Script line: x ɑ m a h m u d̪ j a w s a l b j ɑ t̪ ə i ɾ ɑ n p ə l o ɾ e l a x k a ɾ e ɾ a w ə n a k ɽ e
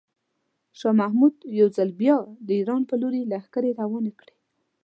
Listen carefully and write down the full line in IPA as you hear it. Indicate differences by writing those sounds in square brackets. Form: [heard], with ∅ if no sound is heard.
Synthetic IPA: [ʃ] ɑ m a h m u d̪ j a w [z] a l b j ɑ [d̪] ə i ɾ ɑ n p ə l o ɾ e l a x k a ɾ e ɾ a w [ɑ] n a k ɽ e